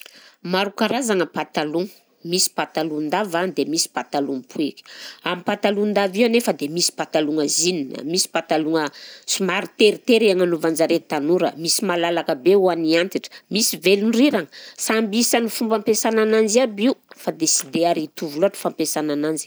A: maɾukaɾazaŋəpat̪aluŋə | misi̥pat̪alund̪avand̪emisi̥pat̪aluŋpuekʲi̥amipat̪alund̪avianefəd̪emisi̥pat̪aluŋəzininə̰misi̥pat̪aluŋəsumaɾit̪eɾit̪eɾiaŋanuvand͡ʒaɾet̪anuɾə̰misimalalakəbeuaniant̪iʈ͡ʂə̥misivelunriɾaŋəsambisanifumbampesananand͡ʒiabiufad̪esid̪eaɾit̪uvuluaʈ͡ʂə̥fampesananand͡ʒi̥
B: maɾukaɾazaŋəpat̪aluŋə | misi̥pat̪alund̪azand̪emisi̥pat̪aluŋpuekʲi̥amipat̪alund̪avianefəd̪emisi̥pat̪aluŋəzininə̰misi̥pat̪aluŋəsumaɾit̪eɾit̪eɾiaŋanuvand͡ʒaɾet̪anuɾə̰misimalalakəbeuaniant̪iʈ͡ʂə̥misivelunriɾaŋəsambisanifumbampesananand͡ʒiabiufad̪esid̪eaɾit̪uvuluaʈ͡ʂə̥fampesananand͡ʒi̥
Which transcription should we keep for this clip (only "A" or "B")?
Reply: A